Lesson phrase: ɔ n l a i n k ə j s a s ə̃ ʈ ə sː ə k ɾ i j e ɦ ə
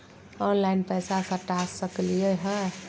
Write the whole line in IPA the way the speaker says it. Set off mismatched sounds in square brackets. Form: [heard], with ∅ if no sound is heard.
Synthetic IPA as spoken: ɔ n l a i n [p] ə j s a s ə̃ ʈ [a] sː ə k [l] i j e ɦ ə